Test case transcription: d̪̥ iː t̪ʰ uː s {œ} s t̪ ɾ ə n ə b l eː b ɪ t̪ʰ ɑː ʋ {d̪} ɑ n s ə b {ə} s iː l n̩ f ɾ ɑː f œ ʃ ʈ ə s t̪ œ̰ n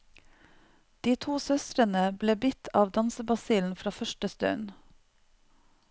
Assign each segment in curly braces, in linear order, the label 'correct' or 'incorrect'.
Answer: correct, correct, incorrect: ɑ

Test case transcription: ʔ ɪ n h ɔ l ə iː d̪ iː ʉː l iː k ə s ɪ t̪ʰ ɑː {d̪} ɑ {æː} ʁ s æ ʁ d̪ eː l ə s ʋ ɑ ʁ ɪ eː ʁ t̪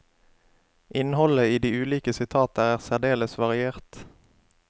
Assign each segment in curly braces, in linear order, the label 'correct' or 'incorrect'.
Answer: incorrect: t̪, correct

